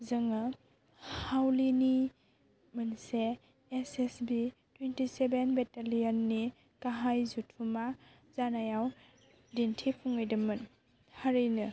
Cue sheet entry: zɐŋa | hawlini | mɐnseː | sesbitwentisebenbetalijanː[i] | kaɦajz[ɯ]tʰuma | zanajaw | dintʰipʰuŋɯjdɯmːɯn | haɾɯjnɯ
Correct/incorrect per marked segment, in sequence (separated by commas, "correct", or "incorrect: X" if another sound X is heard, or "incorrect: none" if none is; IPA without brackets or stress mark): correct, incorrect: u